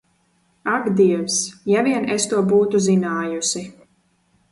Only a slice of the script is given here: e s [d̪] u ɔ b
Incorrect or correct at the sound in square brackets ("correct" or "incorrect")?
incorrect